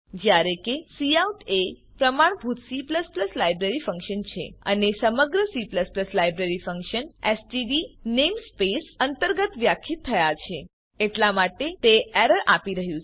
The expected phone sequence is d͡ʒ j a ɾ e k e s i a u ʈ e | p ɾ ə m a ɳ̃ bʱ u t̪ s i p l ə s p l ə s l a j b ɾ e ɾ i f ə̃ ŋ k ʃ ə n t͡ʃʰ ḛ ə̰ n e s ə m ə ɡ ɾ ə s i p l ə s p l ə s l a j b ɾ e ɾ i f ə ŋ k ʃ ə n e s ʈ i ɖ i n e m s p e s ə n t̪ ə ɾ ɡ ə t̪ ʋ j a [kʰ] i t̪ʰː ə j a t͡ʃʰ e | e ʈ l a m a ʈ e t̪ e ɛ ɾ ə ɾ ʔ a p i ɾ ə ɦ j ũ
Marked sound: correct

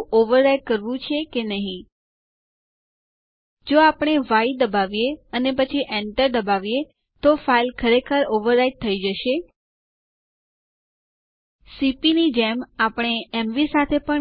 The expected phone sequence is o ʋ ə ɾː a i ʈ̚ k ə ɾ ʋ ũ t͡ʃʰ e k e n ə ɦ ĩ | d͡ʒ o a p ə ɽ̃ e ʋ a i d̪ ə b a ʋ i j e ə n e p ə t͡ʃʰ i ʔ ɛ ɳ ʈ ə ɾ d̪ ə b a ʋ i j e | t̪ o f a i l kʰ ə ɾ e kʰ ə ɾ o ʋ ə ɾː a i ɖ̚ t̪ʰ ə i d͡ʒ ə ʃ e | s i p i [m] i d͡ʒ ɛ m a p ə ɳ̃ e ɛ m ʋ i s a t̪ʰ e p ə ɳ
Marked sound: incorrect: n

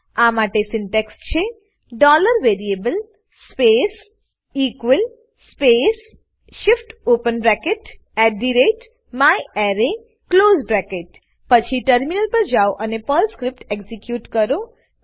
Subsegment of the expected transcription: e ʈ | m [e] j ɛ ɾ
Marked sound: incorrect: a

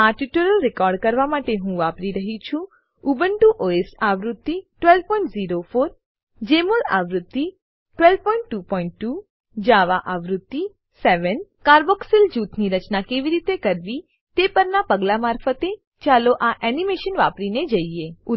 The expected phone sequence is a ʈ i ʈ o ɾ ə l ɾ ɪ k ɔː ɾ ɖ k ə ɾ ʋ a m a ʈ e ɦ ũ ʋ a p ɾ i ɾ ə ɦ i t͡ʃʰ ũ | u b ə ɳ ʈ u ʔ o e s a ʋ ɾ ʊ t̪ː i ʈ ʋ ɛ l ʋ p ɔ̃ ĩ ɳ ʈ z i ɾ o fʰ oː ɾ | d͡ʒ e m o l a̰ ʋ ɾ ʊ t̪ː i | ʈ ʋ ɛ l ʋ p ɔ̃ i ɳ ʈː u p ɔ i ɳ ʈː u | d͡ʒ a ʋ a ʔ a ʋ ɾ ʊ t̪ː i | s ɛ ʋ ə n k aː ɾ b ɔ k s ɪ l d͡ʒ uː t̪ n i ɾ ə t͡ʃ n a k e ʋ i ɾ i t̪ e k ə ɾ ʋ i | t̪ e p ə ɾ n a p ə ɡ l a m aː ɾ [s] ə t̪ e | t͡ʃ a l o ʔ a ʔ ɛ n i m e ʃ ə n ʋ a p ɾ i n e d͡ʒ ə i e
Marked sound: incorrect: f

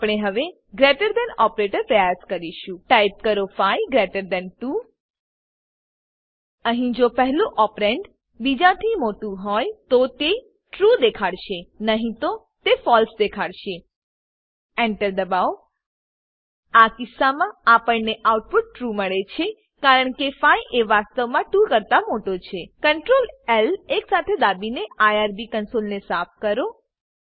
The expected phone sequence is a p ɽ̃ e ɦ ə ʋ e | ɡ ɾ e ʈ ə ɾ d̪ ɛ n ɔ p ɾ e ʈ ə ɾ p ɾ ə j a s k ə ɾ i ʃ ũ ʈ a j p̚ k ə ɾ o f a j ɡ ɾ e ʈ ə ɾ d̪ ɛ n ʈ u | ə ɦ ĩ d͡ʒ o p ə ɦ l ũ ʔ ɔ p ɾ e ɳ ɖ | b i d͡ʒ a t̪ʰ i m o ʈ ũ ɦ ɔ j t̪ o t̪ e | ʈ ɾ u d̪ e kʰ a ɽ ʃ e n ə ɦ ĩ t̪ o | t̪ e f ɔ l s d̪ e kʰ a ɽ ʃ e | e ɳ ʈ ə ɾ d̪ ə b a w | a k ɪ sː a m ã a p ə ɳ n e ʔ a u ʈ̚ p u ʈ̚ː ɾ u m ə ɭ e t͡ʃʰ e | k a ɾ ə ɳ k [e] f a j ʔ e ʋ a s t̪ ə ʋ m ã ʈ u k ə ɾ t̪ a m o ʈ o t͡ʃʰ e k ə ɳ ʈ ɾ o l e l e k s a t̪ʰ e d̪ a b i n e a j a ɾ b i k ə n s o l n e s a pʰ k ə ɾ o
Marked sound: correct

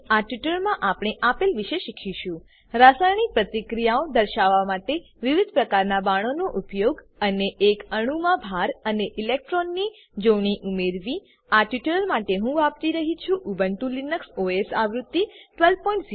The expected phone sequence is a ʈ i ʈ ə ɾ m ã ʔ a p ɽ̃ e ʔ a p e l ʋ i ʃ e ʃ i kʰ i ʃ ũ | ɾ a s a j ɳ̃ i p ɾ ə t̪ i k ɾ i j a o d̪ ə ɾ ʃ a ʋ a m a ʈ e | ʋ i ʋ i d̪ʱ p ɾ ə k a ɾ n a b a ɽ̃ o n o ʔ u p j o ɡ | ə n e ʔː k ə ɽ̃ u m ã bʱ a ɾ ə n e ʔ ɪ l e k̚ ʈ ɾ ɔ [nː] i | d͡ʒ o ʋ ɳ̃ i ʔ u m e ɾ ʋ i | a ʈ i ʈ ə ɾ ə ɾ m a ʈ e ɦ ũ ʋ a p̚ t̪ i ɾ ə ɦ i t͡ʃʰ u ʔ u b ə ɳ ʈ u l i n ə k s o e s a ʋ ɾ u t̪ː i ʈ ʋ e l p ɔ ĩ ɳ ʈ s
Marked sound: correct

